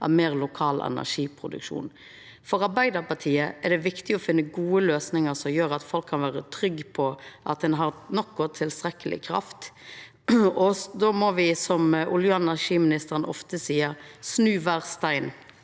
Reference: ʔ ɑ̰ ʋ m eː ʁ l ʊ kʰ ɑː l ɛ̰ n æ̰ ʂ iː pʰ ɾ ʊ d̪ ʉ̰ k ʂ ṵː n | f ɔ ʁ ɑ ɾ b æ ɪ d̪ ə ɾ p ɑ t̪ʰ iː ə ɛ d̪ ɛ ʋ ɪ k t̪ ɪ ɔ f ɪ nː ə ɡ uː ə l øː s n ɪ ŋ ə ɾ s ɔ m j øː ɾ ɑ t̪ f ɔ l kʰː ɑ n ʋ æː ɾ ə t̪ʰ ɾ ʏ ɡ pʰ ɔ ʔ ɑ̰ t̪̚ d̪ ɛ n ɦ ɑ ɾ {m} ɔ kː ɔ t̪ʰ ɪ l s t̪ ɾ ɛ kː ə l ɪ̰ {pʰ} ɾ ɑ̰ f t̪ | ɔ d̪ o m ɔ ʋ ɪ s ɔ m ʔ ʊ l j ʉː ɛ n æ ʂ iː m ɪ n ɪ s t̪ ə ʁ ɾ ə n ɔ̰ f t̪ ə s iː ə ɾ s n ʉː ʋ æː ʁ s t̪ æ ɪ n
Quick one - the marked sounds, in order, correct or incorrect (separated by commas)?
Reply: incorrect, incorrect